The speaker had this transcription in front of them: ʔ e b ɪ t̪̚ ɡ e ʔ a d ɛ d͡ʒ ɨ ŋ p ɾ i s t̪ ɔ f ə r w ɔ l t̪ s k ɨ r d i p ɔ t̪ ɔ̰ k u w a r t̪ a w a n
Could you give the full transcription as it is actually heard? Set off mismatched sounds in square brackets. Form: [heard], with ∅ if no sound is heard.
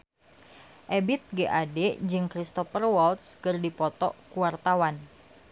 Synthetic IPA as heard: ʔ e b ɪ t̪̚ ɡ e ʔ a d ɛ d͡ʒ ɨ ŋ [k] ɾ i s t̪ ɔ f ə r w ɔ l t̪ s k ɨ r d i p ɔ t̪ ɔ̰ k u w a r t̪ a w a n